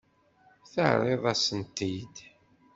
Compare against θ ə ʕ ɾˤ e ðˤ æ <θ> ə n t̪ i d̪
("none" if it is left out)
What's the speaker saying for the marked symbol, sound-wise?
s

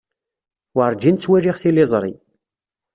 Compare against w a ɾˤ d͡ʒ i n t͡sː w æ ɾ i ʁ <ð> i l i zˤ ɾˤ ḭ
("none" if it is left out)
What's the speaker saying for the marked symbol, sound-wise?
θ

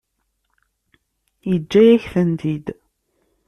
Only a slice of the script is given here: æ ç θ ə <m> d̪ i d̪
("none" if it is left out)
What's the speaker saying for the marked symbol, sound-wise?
n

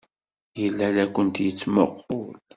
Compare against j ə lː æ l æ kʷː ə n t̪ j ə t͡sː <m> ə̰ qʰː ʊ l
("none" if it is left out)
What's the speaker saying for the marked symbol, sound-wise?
m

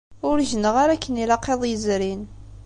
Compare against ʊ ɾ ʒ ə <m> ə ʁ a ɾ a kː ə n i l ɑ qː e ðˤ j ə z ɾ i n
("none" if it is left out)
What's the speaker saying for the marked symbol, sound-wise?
n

